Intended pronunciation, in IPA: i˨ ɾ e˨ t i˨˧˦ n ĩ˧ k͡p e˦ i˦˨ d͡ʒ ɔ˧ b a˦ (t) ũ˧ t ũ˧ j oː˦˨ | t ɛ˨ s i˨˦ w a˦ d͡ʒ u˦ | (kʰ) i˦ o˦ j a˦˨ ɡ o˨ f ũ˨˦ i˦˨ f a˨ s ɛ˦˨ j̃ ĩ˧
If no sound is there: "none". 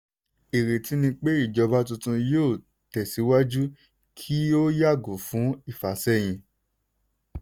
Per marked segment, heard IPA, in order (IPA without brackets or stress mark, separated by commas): t, kʰ